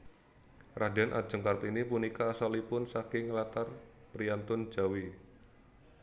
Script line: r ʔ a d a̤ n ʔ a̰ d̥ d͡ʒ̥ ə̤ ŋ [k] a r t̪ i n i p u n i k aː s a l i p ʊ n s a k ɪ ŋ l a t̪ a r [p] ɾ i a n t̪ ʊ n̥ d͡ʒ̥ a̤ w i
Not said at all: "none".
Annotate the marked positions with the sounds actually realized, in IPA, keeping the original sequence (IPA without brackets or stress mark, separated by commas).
k, p